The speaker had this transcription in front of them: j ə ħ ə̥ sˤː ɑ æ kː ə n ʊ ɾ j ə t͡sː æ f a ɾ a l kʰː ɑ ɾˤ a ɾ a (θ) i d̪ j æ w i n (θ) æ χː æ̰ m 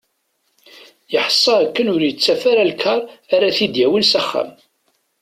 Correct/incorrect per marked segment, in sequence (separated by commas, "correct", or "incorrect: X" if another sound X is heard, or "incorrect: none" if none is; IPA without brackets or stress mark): correct, incorrect: s